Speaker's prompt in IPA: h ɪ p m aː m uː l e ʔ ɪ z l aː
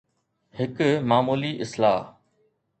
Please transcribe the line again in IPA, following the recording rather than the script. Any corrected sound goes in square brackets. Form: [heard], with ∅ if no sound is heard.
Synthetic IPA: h ɪ [k] m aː m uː l [i] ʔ ɪ [s] l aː